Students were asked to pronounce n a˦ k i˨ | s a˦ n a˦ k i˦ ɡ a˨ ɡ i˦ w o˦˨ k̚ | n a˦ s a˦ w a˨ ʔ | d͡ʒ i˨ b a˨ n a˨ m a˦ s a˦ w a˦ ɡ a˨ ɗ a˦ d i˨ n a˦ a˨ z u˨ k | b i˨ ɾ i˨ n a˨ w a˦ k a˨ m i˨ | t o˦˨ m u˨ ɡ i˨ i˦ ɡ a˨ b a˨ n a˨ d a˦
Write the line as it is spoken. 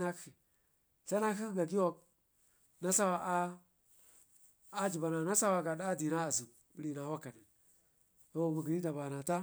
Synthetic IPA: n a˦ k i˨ | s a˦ n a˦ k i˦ ɡ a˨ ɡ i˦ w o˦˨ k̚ | n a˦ s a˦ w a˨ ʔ | d͡ʒ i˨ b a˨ n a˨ n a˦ s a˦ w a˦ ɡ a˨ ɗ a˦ d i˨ n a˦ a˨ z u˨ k | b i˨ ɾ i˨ n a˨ w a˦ k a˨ n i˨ | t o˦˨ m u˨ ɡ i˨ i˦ d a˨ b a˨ n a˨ t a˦